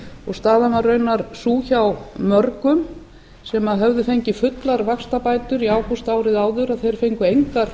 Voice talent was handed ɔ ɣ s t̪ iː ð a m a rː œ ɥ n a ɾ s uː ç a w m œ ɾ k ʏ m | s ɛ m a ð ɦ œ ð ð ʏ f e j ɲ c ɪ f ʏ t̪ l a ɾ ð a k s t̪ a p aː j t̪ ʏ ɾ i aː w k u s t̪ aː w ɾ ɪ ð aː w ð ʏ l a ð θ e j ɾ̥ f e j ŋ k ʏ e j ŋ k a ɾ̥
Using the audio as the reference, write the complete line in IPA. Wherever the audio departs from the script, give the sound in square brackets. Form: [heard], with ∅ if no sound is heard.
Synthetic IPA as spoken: ɔ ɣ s t̪ [aː] ð a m a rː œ ɥ n a ɾ s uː ç a w m œ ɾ k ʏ m | s ɛ m a ð ɦ œ [v] ð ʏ f e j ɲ c ɪ f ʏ t̪ l a ɾ [v] a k s t̪ a p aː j t̪ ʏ ɾ i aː w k u s t̪ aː w ɾ ɪ ð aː w ð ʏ [ɾ] a ð θ e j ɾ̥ f e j ŋ k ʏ e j ŋ k a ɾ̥